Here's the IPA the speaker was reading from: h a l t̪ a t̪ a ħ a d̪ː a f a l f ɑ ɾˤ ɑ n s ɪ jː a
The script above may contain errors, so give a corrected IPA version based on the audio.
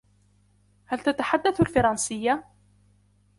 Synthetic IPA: h a l t̪ a t̪ a ħ a d̪ː a θ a l f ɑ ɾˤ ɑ n s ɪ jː a

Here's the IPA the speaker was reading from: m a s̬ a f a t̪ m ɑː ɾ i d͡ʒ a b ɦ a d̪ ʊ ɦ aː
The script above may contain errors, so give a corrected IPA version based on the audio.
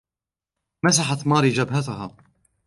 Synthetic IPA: m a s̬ a ħ a t̪ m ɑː ɾ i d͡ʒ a b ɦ a t̪ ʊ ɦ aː

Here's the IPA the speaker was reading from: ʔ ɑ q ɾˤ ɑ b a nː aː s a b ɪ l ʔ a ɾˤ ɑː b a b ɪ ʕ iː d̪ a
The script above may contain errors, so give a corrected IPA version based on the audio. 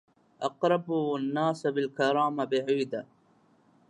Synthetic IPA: ʔ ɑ q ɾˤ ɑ b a nː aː s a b ɪ l k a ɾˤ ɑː m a b ɪ ʕ iː d̪ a

